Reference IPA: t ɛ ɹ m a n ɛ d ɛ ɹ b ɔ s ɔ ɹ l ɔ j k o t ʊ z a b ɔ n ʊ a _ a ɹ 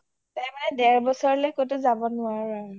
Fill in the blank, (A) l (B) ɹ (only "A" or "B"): B